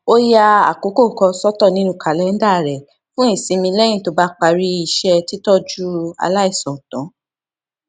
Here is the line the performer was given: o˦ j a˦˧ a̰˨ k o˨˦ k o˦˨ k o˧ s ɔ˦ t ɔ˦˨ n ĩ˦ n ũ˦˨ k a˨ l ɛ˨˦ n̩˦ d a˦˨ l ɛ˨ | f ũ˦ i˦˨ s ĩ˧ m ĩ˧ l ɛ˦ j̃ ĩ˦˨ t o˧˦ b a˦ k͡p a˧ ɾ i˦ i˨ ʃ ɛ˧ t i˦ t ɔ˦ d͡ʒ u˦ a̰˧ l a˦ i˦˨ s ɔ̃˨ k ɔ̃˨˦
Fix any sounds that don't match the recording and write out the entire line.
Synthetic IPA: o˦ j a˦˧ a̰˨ k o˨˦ k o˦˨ k ɔ˧ s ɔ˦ t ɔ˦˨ n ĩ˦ n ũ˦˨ k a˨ l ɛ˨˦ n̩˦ d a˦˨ ɾ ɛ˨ | f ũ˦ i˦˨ s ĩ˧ m ĩ˧ l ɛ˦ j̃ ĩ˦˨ t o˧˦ b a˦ k͡p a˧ ɾ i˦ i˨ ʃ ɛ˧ t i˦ t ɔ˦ d͡ʒ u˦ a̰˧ l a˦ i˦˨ s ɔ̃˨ t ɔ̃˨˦